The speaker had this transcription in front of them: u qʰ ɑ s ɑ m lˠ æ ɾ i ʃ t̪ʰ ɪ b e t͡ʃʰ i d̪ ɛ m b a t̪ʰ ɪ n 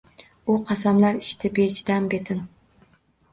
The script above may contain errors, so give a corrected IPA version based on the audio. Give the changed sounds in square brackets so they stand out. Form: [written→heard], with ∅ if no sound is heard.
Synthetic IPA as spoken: u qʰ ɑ s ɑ m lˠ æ ɾ i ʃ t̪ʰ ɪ b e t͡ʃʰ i d̪ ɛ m b [a→e] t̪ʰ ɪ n